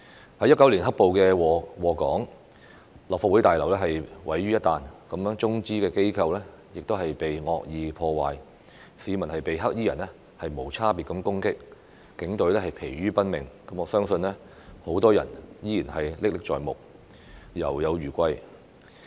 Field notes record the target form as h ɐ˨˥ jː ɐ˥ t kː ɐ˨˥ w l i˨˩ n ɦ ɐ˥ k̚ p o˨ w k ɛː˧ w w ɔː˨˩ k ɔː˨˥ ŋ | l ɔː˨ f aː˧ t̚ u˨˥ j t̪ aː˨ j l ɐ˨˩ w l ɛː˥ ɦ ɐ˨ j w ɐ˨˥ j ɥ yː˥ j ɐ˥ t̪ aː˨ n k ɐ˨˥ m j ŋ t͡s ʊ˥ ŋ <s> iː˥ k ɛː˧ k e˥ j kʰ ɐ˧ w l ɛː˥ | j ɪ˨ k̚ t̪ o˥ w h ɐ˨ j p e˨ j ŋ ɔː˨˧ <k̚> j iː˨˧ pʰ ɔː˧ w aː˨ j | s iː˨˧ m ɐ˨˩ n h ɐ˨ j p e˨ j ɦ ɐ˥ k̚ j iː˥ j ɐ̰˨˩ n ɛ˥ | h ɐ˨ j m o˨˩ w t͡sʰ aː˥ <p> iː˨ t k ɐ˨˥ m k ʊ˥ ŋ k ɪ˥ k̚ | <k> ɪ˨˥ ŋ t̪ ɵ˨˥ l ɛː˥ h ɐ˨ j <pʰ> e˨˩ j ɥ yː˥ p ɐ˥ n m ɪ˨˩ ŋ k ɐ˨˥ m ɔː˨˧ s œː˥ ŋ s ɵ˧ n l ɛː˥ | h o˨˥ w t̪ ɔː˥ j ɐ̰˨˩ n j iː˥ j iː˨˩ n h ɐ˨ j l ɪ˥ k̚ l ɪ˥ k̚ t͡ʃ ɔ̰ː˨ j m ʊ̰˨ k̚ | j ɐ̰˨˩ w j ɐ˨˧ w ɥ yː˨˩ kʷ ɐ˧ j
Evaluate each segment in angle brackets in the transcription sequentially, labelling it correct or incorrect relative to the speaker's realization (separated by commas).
incorrect, correct, correct, correct, correct